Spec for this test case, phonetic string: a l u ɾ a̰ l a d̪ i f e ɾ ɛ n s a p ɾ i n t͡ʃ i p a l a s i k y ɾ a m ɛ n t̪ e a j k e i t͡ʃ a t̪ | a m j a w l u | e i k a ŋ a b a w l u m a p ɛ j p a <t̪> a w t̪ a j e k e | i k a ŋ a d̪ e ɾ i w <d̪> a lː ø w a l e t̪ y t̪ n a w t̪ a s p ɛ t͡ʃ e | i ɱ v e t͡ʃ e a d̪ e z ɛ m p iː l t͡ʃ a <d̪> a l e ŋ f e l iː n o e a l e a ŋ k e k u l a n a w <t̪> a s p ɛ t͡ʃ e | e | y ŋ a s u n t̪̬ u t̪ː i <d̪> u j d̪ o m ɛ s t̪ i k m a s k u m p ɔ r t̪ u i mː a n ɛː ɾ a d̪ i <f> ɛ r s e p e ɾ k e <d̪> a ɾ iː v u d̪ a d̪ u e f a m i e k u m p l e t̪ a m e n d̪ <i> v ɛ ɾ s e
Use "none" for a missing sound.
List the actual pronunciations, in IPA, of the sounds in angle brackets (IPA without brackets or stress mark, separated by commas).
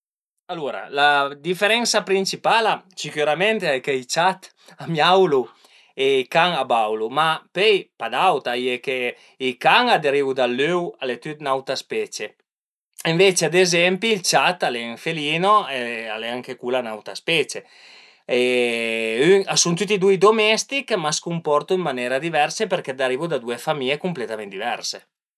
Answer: d̪, d̪, t̪, t̪, d̪, v, d̪, i